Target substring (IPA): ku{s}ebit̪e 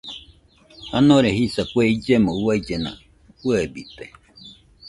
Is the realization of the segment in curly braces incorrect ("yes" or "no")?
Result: yes